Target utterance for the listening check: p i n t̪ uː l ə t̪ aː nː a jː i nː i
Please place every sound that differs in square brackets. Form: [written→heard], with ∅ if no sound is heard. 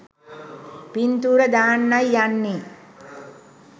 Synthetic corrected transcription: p i n t̪ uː [l→ɾ] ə [t̪→d̪] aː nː a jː [i→a] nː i